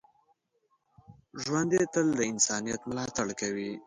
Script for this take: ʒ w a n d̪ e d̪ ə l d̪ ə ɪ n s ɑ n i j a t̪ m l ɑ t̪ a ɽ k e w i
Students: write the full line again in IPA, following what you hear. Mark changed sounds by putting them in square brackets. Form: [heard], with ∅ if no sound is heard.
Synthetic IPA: ʒ w a n d̪ e [t̪] ə l d̪ ə ɪ n s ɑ n i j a t̪ m l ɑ t̪ a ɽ k [a] w i

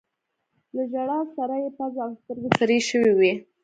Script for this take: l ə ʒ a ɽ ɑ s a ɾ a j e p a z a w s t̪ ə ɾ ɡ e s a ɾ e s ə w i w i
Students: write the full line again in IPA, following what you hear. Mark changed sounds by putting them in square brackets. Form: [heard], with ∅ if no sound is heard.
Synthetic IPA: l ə ʒ a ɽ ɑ s a ɾ a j e p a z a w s t̪ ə ɾ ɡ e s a ɾ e [ʃ] ə w i w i

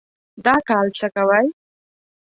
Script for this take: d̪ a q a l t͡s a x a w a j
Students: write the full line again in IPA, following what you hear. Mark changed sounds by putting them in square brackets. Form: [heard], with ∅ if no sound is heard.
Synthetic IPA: d̪ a [k] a l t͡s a [k] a w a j

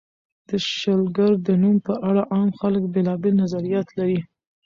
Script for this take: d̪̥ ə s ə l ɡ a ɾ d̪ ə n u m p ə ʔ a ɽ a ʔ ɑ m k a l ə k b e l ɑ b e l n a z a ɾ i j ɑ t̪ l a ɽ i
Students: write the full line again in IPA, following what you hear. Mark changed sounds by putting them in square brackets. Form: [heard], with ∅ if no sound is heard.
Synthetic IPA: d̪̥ ə [ʃ] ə l ɡ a ɾ d̪ ə n u m p ə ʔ a ɽ a ʔ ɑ m [x] a l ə k b e l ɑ b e l n a z a ɾ i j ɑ t̪ l a [ɾ] i

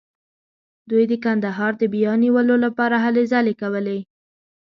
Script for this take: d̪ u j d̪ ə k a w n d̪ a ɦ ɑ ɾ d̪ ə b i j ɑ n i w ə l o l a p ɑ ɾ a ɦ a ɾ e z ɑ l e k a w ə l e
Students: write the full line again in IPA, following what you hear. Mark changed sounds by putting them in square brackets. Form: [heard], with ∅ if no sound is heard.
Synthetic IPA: d̪ u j d̪ ə k a [∅] n d̪ a ɦ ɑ ɾ d̪ ə b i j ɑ n i w ə l o l a p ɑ ɾ a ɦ a [l] e z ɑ l e k a w ə l e

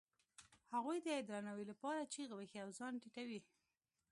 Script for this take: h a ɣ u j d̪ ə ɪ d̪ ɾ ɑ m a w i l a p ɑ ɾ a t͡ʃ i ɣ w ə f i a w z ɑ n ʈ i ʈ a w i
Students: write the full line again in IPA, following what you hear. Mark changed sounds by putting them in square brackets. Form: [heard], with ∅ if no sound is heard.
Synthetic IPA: h a ɣ u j d̪ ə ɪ d̪ ɾ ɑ [n] a w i l a p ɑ ɾ a t͡ʃ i ɣ w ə [x] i a w z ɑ n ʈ i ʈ a w i

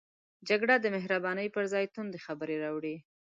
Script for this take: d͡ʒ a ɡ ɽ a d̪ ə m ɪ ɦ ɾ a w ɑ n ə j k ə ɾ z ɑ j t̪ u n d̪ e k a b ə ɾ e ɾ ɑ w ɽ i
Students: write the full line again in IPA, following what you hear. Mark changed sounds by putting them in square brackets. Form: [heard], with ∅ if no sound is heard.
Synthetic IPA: d͡ʒ a ɡ ɽ a d̪ ə m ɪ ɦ ɾ a [b] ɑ n ə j [p] ə ɾ z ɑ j t̪ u n d̪ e [x] a b ə ɾ e ɾ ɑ w ɽ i

